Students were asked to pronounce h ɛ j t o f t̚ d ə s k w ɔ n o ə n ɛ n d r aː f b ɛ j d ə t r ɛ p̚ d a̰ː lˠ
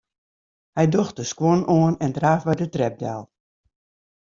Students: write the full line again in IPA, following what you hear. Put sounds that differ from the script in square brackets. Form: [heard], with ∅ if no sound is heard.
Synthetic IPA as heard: h ɛ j [d] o [x] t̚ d ə s k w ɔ n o ə n ɛ n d r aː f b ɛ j d ə t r ɛ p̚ d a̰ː lˠ